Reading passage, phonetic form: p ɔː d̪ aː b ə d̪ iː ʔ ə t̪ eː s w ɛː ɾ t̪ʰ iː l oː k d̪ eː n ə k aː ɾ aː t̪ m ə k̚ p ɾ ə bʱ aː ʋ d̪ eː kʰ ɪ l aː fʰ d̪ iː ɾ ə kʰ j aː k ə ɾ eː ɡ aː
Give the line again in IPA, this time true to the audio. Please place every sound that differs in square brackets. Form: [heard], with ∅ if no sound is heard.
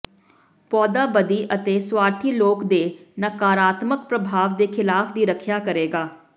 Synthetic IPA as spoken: p ɔː d̪ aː b ə d̪ iː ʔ ə t̪ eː s w [aː] ɾ t̪ʰ iː l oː k d̪ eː n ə k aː ɾ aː t̪ m ə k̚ p ɾ ə bʱ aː ʋ d̪ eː kʰ ɪ l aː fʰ d̪ iː ɾ ə kʰ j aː k ə ɾ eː ɡ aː

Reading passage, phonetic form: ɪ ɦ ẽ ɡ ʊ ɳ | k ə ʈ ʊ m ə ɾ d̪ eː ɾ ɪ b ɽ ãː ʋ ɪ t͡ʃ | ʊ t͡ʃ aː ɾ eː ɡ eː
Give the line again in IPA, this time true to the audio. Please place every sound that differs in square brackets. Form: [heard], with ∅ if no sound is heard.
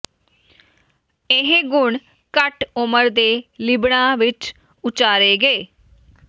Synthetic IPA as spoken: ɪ ɦ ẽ ɡ ʊ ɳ | k ə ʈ ʊ m ə ɾ d̪ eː [l] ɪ b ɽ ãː ʋ ɪ t͡ʃ | ʊ t͡ʃ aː ɾ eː ɡ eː

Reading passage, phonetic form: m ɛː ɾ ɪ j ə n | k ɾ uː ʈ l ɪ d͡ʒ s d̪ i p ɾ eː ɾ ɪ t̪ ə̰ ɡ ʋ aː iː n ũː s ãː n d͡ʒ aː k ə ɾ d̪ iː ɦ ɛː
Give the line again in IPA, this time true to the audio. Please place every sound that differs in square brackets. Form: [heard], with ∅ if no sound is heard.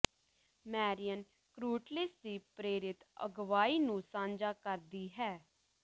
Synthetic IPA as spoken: m ɛː ɾ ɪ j ə n | k ɾ uː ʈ l ɪ [∅] s d̪ [iː] p ɾ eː ɾ ɪ t̪ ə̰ ɡ ʋ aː iː n ũː s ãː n d͡ʒ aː k ə ɾ d̪ iː ɦ ɛː

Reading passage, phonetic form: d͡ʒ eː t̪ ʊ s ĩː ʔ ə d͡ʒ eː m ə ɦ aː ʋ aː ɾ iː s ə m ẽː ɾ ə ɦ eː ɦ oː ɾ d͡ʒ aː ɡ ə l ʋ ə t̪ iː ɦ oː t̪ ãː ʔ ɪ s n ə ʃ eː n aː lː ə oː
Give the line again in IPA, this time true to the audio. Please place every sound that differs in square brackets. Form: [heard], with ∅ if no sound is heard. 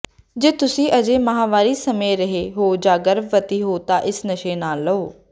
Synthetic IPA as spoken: d͡ʒ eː t̪ ʊ s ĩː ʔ ə d͡ʒ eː m ə ɦ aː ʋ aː ɾ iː s ə m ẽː ɾ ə ɦ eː ɦ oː [∅] d͡ʒ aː ɡ ə [ɾ] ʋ ə t̪ iː ɦ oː t̪ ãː ʔ ɪ s n ə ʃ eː n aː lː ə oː

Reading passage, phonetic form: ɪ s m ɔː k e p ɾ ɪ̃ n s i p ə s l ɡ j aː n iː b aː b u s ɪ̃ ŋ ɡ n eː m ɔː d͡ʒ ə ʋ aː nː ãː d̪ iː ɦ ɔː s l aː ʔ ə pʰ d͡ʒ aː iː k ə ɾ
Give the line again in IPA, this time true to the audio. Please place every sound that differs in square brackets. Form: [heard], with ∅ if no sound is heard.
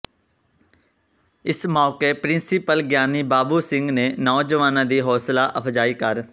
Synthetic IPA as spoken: ɪ s m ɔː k e p ɾ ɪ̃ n s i p ə [∅] l ɡ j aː n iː b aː b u s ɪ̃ ŋ ɡ n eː [n] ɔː d͡ʒ ə ʋ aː [n] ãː d̪ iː ɦ ɔː s l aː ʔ ə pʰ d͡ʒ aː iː k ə ɾ

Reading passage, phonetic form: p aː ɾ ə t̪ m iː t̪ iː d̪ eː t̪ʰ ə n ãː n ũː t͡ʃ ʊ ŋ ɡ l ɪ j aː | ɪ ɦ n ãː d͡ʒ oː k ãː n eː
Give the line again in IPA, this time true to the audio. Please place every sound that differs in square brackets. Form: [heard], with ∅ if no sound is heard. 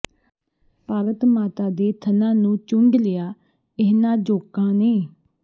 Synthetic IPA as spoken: p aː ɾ ə t̪ m [aː] t̪ [aː] d̪ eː t̪ʰ ə n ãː n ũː t͡ʃ ʊ ŋ ɡ l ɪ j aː | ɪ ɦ n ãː d͡ʒ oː k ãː n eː

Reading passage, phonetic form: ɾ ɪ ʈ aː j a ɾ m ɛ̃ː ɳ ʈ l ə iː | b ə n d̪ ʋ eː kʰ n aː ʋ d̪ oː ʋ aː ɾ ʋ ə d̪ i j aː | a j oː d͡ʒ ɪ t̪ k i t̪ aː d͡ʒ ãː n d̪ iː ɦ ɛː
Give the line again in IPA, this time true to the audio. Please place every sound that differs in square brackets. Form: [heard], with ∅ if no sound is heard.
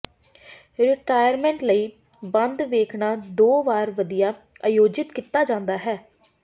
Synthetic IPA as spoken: ɾ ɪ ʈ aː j [ə] ɾ m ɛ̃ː ɳ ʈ l ə iː | b ə n d̪ ʋ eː kʰ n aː [∅] d̪ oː ʋ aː ɾ ʋ ə d̪ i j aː | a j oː d͡ʒ ɪ t̪ k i t̪ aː d͡ʒ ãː n d̪ [aː] ɦ ɛː

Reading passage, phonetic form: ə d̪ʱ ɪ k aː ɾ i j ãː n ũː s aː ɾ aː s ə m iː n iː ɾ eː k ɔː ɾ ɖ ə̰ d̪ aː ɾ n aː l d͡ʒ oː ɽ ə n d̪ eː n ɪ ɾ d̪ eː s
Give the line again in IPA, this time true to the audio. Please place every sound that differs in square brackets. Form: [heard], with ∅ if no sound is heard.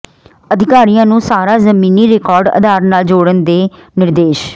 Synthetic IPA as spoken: ə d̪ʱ ɪ k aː ɾ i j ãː n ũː s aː ɾ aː [z] ə m iː n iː ɾ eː k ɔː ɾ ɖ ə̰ d̪ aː ɾ n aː l d͡ʒ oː ɽ ə n d̪ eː n ɪ ɾ d̪ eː [ʃ]

